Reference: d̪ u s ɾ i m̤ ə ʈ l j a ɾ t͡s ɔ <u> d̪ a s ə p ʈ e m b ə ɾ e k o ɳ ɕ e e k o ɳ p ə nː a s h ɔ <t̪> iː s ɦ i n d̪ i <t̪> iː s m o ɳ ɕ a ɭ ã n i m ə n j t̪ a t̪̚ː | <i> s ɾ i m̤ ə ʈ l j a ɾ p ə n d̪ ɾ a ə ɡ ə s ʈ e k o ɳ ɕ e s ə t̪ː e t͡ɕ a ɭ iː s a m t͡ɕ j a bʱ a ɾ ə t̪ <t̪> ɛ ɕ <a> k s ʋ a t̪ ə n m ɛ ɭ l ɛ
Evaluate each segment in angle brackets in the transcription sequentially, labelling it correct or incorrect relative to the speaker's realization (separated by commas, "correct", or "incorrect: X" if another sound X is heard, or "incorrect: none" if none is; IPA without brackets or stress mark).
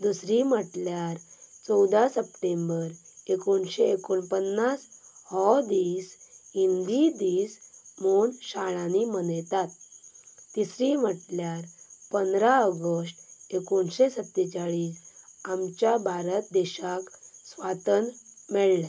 incorrect: w, incorrect: d̪, incorrect: d̪, correct, incorrect: d̪, correct